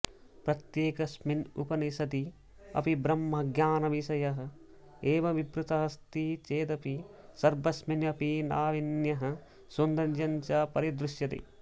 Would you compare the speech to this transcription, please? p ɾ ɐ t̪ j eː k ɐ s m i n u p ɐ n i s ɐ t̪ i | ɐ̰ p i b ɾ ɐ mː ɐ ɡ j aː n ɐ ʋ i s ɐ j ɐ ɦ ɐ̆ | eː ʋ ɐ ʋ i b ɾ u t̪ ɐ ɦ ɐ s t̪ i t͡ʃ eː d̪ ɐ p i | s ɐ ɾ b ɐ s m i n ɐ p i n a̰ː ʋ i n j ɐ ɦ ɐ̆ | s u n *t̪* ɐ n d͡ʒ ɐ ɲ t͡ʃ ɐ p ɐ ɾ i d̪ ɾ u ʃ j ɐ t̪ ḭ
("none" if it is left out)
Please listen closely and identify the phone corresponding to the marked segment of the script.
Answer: d̪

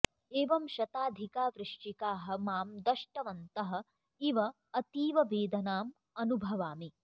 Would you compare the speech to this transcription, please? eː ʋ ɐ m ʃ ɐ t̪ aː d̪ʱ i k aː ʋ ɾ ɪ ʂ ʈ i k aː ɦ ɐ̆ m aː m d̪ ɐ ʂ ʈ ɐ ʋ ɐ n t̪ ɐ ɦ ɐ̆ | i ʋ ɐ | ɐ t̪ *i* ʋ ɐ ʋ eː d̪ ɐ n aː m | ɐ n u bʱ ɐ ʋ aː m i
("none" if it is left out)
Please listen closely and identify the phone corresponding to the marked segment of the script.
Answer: iː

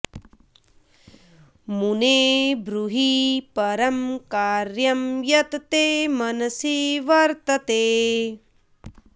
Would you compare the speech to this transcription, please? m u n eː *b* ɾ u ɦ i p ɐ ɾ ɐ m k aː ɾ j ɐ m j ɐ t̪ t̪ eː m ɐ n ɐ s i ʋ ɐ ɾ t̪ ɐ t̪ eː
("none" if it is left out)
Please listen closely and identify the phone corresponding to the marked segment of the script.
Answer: b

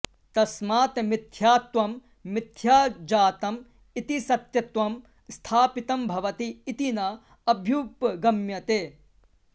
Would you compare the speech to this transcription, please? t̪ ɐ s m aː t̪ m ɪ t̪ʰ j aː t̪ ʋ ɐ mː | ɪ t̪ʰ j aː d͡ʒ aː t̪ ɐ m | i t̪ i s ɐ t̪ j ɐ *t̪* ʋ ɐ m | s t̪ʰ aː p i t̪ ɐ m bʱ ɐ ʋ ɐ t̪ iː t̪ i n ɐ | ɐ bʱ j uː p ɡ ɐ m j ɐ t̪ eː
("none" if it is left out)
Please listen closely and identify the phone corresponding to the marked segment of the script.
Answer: t̪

